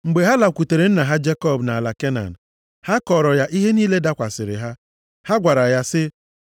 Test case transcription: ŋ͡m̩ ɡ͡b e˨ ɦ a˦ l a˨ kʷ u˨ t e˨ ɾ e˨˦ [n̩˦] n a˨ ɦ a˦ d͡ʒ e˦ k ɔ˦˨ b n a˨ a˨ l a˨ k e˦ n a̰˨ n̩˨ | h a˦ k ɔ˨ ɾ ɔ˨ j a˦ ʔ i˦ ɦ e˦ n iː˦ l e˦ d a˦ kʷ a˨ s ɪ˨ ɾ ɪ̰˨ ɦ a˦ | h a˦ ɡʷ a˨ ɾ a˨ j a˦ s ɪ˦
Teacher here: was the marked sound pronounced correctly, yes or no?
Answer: yes